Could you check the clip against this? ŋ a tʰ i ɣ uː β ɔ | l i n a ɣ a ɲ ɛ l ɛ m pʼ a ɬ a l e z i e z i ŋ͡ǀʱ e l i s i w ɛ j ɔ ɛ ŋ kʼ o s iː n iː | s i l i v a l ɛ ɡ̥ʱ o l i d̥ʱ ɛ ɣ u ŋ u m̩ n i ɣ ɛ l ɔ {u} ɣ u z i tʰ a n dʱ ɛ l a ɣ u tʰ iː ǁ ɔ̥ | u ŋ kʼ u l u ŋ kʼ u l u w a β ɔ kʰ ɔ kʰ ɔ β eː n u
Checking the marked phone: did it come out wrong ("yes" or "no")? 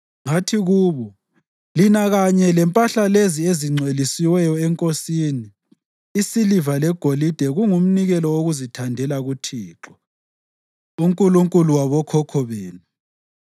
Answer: yes